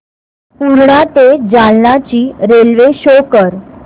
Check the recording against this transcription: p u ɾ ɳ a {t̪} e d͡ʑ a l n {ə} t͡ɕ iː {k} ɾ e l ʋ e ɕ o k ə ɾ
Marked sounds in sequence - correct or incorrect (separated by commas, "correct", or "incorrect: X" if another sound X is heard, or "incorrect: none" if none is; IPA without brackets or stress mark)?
correct, incorrect: a, incorrect: none